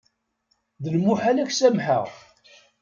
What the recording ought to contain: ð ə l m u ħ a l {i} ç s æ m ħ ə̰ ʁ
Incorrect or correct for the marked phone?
incorrect: æ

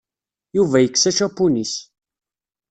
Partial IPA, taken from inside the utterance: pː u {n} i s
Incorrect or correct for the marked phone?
correct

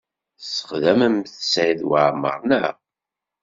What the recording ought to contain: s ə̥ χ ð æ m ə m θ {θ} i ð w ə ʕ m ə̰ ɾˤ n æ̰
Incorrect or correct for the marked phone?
incorrect: s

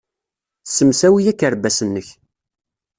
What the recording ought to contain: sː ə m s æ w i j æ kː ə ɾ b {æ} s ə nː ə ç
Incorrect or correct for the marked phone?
correct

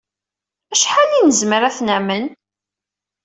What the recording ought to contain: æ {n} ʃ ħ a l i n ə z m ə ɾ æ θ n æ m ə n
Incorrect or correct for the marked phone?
incorrect: none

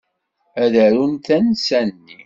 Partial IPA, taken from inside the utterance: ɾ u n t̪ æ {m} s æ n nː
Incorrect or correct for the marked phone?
incorrect: n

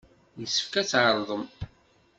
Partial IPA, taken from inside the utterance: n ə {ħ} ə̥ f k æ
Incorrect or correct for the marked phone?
incorrect: s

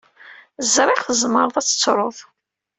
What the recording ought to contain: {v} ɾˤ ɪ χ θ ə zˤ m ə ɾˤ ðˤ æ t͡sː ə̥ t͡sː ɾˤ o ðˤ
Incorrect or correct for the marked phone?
incorrect: z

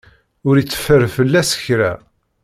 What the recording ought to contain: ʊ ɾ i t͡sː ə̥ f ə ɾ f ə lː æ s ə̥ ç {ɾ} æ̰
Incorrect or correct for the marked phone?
correct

